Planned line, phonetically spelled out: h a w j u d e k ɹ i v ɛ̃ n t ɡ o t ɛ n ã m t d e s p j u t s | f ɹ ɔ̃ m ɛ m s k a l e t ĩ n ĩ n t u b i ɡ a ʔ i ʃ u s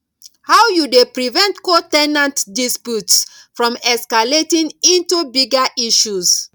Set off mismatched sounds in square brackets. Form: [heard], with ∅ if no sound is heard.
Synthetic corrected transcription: h a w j u d e [p] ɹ i v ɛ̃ n t [k] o t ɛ n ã [n] t d [i] s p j u t s | f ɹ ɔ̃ m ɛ [∅] s k a l e t ĩ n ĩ n t u b i ɡ a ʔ i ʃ u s